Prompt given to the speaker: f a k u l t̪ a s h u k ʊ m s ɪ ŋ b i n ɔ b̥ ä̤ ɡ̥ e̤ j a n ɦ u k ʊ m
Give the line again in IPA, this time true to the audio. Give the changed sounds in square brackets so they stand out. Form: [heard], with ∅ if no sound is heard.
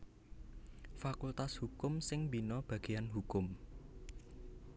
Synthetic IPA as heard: f a k u l t̪ a s h u k ʊ m s ɪ ŋ b i n ɔ b̥ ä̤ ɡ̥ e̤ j a n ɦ u k ʊ m

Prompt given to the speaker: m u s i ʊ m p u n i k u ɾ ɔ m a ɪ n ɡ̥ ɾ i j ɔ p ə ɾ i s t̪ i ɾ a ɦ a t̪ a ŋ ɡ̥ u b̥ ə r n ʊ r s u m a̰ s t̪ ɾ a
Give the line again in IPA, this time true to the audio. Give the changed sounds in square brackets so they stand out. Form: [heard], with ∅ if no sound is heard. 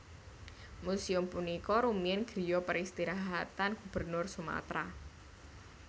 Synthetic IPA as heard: m u s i ʊ m p u n i k [ɔ] ɾ [u] m [i] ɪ n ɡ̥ ɾ i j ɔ p ə ɾ i s t̪ i ɾ a ɦ a t̪ a [n] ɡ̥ u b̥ ə r n ʊ r s u m a̰ [∅] t̪ ɾ a

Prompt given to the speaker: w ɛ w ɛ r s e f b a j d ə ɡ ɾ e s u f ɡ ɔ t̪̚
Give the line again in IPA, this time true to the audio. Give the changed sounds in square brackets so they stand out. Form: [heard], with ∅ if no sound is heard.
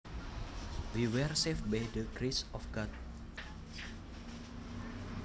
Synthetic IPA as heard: w [i] w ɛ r s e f b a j d ə ɡ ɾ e s [ɔ] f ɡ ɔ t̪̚

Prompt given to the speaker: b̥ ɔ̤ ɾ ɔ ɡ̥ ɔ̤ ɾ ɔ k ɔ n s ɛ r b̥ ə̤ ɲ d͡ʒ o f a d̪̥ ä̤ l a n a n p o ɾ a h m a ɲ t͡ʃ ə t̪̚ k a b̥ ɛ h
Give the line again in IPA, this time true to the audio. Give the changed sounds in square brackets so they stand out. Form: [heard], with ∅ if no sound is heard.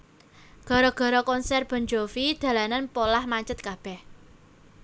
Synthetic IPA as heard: [ɡ̥] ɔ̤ ɾ ɔ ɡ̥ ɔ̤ ɾ ɔ k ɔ n s ɛ r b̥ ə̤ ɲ d͡ʒ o f [i] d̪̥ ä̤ l a n a n p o [l] a h m a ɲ t͡ʃ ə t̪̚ k a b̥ ɛ h

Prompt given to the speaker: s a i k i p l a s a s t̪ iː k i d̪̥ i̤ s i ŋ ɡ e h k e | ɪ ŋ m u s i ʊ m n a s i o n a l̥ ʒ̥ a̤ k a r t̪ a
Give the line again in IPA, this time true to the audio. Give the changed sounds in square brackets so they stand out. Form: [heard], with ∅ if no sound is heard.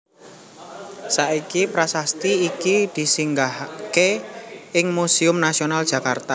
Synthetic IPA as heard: s a i k i p [ɾ] a s a s t̪ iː k i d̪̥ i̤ s i ŋ ɡ [a] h k e | ɪ ŋ m u s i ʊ m n a s i o n a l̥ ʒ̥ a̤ k a r t̪ a

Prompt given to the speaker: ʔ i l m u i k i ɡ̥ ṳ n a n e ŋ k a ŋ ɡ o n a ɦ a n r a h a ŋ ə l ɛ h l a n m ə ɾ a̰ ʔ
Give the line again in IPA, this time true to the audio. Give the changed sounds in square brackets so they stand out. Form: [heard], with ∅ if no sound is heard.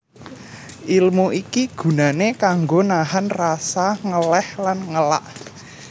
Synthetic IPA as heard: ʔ i l m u i k i ɡ̥ ṳ n a n e [∅] k a ŋ ɡ o n a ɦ a n r a [s] a ŋ ə l ɛ h l a n [ŋ] ə [l] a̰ ʔ

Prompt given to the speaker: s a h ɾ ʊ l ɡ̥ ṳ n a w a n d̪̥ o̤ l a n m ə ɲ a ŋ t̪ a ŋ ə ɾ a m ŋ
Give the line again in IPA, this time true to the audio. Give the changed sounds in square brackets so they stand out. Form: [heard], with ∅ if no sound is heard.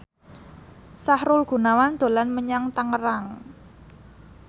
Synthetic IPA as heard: s a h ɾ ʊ l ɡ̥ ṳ n a w a n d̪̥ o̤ l a n m ə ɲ a ŋ t̪ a ŋ ə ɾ a [∅] ŋ

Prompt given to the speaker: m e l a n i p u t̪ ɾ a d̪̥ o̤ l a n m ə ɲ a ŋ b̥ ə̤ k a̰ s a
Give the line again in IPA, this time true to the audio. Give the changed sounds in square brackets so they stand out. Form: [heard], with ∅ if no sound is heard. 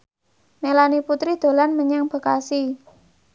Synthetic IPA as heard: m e l a n i p u t̪ ɾ [i] d̪̥ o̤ l a n m ə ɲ a ŋ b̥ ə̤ k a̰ s [i]

